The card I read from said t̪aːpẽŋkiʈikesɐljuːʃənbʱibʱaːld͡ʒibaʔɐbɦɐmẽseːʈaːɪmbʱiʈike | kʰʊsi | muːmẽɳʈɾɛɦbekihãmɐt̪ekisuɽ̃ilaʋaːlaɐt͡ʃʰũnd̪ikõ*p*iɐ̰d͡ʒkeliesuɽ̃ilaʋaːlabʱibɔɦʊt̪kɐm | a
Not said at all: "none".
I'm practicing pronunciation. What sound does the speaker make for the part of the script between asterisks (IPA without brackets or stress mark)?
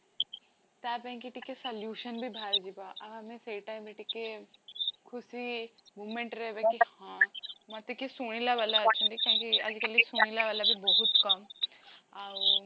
k